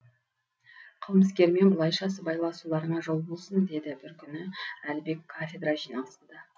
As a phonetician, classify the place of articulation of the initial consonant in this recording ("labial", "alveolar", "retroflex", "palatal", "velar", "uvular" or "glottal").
uvular